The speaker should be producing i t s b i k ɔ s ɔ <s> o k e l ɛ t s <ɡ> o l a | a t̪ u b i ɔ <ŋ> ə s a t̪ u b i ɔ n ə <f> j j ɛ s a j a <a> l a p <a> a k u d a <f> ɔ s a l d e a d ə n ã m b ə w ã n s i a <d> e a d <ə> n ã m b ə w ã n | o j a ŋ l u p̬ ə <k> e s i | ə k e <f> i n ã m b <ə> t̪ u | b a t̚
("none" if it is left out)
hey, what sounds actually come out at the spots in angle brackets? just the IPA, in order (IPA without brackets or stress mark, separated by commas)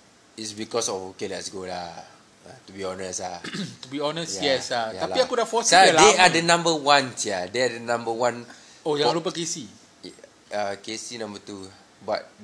f, ɡ, n, s, a, i, f, d, ə, k, s, ə